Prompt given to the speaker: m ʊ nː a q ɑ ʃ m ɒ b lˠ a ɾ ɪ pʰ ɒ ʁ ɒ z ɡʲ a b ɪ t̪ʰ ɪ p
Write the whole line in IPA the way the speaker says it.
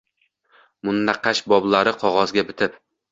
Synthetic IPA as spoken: m ʊ nː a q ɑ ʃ b ɒ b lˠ a ɾ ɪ qʰ ɒ ʁ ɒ z ɡʲ a b ɪ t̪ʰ ɪ p

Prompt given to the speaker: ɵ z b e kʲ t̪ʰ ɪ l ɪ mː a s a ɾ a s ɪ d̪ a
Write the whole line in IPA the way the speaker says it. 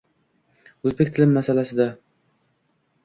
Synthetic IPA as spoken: ɵ z b e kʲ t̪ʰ ɪ l ɪ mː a s a l a s ɪ d̪ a

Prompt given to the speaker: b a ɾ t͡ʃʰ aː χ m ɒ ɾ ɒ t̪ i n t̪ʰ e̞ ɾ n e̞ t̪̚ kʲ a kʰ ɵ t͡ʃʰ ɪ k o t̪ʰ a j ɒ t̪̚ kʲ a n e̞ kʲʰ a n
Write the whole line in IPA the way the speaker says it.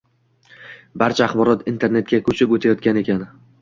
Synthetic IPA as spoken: b a ɾ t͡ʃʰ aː χ b ɒ ɾ ɒ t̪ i n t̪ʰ e̞ ɾ n e̞ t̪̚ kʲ a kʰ ɵ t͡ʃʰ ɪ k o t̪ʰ a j ɒ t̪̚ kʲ a n e̞ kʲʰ a n

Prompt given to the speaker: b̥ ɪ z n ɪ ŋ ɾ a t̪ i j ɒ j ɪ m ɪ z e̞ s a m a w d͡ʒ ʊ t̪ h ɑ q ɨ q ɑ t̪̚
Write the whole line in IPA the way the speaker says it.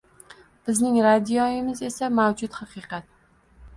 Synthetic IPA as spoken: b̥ ɪ z n ɪ ŋ ɾ a d̪ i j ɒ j ɪ m ɪ z e̞ s a m a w d͡ʒ ʊ t̪ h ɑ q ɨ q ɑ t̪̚

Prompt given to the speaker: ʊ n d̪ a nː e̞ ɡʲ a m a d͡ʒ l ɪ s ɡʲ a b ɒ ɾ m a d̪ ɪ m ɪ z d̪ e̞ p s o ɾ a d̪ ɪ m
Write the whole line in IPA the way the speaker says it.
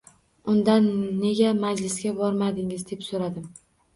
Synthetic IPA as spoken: ʊ n d̪ a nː e̞ ɡʲ a m a d͡ʒ l ɪ s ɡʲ a b ɒ ɾ m a d̪ ɪ ŋ ɪ z d̪ e̞ p s o ɾ a d̪ ɪ m

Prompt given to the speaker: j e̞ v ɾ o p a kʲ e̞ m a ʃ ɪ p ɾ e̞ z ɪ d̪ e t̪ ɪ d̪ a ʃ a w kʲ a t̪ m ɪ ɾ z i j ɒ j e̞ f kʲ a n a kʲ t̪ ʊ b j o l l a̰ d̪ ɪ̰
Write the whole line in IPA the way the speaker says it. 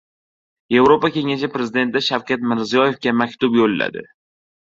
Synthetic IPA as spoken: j e̞ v ɾ o p a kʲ e̞ ŋ a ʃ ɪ p ɾ e̞ z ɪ d̪ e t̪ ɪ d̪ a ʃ a w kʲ a t̪ m ɪ ɾ z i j ɒ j e̞ f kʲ a m a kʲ t̪ ʊ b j o l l a̰ d̪ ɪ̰

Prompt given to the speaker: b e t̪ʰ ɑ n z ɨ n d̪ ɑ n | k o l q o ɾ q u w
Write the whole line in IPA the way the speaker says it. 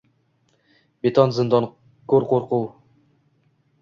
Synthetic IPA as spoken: b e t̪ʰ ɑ n z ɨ n d̪ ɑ n | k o ɾ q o ɾ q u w

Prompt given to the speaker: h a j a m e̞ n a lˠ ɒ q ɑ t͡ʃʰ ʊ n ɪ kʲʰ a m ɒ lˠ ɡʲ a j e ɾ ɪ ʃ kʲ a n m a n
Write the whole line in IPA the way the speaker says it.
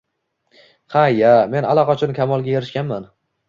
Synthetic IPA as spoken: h a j a m e̞ n a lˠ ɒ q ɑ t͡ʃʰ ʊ n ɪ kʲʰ a m ɒ lˠ ɡʲ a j e ɾ ɪ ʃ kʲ a n m a n

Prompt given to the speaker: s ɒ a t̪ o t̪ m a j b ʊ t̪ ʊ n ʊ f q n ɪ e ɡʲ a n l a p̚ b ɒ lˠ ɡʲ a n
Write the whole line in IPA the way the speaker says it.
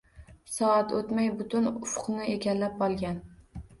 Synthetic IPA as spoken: s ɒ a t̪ o t̪ m a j b ʊ t̪ ʊ n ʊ f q n ɪ e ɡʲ a n l a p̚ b ɒ lˠ ɡʲ a n

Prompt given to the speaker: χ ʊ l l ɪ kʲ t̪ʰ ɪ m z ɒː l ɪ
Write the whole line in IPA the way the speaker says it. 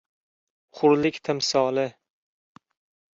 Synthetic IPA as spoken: χ ʊ ɾ l ɪ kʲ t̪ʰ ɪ m s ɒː l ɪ

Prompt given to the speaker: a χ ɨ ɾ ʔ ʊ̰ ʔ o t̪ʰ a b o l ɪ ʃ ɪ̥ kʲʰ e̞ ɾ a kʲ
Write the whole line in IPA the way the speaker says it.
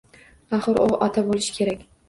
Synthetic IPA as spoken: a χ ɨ ɾ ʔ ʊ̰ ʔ ɒ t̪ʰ a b o l ɪ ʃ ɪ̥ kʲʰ e̞ ɾ a kʲ

